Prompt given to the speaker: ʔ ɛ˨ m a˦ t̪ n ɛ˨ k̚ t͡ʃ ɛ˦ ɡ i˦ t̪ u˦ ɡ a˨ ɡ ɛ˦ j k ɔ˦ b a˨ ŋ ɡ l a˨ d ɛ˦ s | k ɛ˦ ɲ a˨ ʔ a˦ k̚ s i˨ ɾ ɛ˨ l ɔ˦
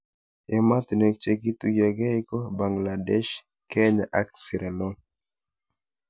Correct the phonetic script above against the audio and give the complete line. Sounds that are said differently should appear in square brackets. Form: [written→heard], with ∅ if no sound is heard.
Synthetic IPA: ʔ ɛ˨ m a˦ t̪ n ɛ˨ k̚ t͡ʃ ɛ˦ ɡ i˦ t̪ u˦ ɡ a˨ ɡ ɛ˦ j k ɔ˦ b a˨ ŋ ɡ l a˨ d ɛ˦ [s→ʃ] | k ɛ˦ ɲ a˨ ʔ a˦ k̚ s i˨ ɾ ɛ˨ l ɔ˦

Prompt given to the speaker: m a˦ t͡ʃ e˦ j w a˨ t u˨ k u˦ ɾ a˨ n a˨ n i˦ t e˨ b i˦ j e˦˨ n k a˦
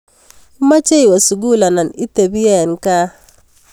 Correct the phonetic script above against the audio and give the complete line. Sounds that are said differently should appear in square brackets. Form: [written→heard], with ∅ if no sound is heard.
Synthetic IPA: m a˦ t͡ʃ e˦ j w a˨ [t→s] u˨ [k→ɡ] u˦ [ɾ→l] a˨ n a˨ n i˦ t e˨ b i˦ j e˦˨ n k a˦

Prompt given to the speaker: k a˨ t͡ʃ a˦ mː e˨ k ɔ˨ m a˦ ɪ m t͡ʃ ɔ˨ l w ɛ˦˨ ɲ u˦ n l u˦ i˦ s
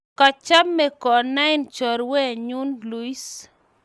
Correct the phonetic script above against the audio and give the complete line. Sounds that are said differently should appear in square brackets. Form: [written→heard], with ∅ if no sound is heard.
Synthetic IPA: k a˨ t͡ʃ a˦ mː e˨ k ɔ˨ [m→n] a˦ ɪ [m→n] t͡ʃ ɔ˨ [l→ɾ] w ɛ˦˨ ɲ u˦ n l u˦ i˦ s

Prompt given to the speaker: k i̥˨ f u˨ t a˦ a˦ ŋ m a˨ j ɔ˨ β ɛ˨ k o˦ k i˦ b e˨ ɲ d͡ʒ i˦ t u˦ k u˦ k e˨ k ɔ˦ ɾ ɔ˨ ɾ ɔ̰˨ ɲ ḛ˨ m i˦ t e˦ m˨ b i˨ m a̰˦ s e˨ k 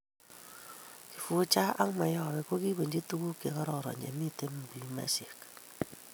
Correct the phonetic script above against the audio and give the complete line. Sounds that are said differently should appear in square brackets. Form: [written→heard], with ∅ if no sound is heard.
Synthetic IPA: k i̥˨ f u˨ [t→t͡ʃ] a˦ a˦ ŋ m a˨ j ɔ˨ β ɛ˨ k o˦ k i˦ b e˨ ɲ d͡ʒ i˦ t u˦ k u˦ k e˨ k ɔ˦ ɾ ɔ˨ ɾ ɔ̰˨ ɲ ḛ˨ m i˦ t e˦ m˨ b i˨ m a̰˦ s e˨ k

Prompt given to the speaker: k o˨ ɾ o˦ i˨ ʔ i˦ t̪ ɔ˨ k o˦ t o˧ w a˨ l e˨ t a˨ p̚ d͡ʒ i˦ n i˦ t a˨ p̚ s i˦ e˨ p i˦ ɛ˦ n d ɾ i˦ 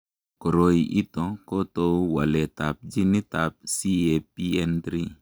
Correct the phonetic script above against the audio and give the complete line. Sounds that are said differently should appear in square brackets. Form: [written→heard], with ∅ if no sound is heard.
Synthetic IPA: k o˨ ɾ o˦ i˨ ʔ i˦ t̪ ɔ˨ k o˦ t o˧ w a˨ l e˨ t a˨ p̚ d͡ʒ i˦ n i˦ t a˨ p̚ s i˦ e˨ p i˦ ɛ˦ n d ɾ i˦

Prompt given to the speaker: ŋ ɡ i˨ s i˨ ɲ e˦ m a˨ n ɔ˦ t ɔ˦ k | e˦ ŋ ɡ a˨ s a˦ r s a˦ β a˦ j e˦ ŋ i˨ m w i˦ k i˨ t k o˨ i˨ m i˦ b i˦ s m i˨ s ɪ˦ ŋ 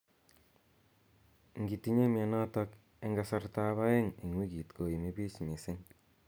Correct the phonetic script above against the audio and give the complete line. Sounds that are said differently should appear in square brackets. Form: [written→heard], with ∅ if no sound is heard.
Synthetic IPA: ŋ ɡ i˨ [s→t] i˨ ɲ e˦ m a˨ n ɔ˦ t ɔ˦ k | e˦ ŋ ɡ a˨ s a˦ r [s→t] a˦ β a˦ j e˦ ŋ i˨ [m→ŋ] w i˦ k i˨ t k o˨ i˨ m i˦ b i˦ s m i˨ s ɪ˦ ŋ

